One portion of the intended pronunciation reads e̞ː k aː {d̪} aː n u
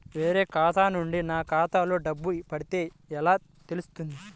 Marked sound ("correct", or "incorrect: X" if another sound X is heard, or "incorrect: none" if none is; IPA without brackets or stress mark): incorrect: t̪